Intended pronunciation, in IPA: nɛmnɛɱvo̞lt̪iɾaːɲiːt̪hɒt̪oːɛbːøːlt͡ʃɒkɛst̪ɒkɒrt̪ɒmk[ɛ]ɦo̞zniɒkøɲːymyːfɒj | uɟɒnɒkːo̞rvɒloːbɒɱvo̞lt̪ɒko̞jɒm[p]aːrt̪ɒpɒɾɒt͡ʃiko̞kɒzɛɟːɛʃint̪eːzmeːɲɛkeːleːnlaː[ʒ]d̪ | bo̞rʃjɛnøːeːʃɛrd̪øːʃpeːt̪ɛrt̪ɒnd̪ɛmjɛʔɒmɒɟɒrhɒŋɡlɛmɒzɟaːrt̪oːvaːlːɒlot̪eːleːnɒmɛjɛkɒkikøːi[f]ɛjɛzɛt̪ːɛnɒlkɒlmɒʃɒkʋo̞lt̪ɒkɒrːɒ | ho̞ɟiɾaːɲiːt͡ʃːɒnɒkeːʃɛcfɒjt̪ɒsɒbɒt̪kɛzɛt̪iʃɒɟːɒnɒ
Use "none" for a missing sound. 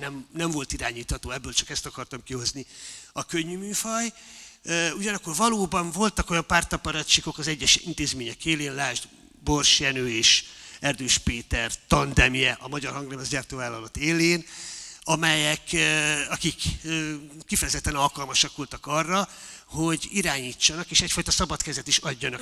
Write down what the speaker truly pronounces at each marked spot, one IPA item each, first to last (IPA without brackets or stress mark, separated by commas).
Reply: i, p, ʒ, f